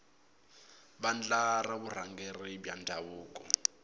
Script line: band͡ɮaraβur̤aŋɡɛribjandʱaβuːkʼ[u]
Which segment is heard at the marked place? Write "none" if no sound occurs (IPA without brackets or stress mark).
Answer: ɔ